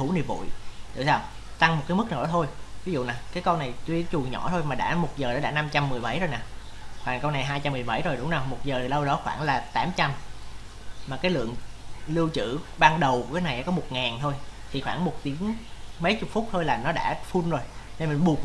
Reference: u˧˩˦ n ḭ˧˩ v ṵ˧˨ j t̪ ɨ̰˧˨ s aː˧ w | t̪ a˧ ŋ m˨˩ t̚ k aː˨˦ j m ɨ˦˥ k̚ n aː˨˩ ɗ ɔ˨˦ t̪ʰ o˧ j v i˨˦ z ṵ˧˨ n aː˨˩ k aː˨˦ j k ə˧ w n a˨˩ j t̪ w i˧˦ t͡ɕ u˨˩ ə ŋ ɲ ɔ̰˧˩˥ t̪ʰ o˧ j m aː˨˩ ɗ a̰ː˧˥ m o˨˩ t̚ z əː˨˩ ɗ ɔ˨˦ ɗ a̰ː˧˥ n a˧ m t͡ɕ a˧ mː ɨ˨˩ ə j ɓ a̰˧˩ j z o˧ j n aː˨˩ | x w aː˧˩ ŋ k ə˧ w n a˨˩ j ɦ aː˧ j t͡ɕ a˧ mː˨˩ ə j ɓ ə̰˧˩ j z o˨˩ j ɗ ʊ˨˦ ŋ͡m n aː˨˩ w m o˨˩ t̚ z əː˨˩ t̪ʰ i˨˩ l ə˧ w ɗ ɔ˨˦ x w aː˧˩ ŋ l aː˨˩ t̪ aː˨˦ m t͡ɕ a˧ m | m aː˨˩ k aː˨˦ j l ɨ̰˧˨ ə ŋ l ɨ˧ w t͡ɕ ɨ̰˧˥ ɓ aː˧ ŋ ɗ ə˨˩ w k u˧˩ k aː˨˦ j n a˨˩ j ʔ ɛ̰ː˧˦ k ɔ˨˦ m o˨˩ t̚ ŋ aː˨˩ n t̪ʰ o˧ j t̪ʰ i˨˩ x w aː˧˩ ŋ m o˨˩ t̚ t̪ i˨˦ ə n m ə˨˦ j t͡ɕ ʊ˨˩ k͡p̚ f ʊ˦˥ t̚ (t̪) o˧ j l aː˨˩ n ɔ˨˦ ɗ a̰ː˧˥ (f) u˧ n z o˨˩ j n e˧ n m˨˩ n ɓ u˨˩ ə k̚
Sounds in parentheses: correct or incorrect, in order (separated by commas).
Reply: incorrect, correct